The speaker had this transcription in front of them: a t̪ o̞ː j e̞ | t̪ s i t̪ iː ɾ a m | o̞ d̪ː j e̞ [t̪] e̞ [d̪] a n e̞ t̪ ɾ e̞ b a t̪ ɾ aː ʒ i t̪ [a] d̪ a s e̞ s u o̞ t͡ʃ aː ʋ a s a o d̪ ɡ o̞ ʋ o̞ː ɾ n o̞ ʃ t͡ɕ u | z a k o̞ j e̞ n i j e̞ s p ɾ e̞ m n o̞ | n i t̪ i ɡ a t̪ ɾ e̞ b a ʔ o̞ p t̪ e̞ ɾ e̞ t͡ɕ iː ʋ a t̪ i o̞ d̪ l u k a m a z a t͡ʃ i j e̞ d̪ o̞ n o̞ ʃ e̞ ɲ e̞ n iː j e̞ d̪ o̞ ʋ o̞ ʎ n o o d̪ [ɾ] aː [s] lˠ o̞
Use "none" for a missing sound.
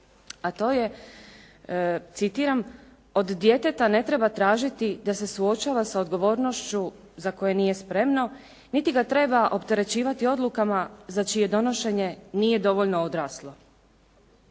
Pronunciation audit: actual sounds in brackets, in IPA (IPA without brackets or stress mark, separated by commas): t̪, t̪, i, ɾ, s